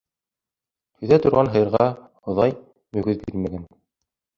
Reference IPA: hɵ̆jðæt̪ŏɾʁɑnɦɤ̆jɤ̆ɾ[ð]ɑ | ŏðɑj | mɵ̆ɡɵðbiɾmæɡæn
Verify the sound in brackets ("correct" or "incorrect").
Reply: incorrect